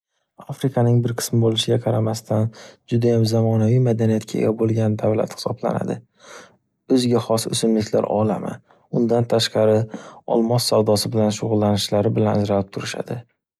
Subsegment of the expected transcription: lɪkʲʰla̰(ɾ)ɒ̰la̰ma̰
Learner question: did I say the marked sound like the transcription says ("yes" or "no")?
yes